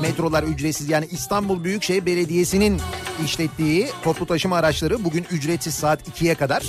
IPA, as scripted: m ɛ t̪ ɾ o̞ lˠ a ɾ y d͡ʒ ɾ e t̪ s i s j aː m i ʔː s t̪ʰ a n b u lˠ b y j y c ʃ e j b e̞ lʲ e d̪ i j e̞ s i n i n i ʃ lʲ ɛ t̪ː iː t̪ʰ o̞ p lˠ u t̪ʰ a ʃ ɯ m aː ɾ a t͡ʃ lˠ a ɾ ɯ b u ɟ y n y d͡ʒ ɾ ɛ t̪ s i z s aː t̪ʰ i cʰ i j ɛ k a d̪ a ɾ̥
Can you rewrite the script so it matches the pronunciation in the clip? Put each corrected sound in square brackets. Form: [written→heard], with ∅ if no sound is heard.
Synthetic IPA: m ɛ t̪ ɾ o̞ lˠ a ɾ y d͡ʒ ɾ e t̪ s i [s→z] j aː [m→n] i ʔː s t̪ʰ a n b u lˠ b y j y c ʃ e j b e̞ lʲ e d̪ i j e̞ s i n i n i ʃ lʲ ɛ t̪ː iː t̪ʰ o̞ p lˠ u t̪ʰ a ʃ ɯ m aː ɾ a t͡ʃ lˠ a ɾ ɯ b u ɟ y n y d͡ʒ ɾ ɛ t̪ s i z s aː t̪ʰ i cʰ i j ɛ k a d̪ a ɾ̥